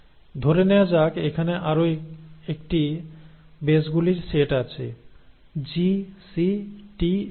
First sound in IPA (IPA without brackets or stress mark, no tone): d̪ʱ